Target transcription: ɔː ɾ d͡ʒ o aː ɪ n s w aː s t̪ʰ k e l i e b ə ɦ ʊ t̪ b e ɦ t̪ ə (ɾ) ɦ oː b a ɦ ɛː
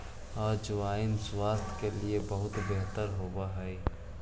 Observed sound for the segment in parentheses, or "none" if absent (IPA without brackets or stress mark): ɾ